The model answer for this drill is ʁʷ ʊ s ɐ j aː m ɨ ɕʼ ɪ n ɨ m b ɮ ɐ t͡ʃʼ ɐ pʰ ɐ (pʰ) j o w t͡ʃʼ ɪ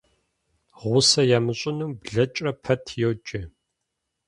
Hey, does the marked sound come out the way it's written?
no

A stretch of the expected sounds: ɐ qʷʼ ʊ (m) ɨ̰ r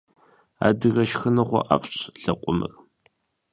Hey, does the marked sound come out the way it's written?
yes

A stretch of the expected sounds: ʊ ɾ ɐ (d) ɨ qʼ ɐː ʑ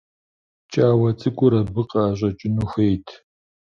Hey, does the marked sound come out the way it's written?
no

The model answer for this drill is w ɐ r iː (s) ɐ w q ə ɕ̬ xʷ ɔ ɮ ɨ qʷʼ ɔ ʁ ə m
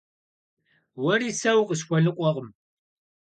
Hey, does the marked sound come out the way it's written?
yes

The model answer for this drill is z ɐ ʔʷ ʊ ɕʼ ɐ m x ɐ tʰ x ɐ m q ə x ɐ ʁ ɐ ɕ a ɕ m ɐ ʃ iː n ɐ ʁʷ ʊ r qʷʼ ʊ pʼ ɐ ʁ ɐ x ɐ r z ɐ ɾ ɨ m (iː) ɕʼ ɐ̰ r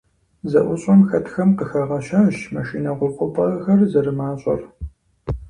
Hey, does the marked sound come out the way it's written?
no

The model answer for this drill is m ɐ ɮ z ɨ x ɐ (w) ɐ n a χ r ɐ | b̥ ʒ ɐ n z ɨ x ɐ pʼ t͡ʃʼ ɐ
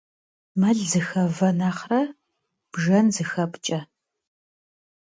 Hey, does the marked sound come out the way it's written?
no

